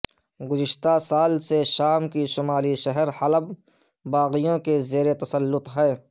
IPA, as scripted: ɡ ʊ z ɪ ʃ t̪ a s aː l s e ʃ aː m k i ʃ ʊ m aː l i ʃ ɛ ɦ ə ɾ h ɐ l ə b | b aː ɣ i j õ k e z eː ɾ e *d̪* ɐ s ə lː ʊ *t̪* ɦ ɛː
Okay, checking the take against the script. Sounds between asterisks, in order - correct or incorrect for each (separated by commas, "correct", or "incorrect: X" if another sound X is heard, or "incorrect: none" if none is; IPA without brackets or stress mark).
incorrect: t̪, correct